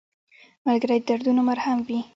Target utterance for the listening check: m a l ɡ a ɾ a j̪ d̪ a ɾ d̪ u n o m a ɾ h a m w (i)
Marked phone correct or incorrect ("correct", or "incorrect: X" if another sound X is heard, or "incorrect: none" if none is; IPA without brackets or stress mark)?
correct